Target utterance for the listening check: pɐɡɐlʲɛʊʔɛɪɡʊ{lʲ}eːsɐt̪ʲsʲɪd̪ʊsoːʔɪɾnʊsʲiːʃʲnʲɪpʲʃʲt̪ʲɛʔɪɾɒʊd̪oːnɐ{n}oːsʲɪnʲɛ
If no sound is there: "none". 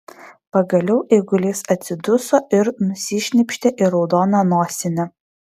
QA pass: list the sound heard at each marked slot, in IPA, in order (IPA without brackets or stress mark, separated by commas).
lʲ, n